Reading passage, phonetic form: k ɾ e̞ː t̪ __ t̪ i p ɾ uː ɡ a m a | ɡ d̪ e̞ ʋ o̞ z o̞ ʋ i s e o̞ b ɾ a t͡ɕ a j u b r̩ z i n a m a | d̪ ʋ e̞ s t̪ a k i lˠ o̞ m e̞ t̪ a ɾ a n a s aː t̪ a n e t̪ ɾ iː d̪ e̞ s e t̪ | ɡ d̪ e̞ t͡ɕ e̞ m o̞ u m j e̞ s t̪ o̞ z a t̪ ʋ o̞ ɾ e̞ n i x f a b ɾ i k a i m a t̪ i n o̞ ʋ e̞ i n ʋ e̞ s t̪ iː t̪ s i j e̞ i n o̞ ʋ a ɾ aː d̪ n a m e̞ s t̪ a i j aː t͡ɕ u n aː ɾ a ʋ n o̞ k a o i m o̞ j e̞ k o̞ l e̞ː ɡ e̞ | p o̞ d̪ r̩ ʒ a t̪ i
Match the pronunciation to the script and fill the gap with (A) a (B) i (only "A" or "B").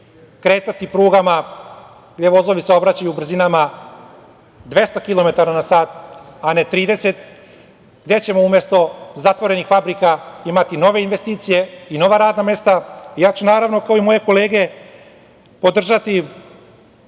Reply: A